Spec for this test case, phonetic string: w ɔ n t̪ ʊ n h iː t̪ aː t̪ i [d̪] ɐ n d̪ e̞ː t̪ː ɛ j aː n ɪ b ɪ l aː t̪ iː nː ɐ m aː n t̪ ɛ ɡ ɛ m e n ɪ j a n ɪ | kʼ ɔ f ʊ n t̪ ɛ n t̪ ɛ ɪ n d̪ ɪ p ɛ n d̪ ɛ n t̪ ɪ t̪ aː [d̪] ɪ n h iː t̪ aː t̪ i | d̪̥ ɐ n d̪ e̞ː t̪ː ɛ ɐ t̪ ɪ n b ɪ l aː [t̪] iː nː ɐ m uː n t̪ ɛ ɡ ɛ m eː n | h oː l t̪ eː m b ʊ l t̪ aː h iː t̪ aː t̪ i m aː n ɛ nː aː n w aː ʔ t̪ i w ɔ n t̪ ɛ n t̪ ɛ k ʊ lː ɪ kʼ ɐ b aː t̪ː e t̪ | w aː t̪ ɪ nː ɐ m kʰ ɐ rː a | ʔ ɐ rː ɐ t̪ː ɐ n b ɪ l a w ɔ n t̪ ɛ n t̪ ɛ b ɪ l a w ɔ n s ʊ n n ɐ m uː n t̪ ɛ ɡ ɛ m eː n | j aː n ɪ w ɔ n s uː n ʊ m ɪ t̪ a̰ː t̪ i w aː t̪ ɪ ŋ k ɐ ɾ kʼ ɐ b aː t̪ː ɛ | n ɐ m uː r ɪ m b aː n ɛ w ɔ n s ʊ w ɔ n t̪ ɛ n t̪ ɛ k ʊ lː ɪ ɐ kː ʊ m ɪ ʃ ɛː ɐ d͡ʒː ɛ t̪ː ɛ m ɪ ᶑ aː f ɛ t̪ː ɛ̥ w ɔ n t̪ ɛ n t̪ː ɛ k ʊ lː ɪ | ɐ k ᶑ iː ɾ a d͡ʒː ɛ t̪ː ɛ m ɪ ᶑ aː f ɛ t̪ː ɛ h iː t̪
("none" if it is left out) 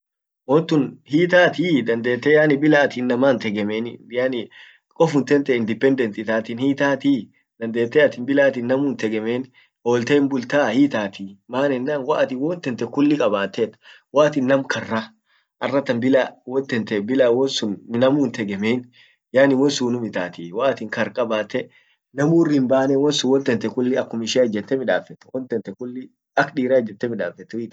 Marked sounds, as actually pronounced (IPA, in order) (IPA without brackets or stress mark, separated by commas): d̪, t̪, t̪